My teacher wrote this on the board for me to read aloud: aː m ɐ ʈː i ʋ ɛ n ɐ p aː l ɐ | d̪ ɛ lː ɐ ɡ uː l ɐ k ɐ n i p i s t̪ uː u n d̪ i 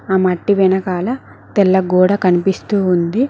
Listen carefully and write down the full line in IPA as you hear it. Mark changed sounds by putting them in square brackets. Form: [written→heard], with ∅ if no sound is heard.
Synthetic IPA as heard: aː m ɐ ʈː i ʋ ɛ n ɐ [p→k] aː l ɐ | [d̪→t̪] ɛ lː ɐ ɡ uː [l→ɽ] ɐ k ɐ n i p i s t̪ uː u n d̪ i